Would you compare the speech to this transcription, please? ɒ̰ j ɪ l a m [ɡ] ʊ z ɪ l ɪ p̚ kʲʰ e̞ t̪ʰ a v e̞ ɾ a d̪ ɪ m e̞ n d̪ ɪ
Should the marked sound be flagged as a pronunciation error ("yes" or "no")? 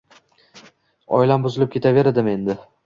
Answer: yes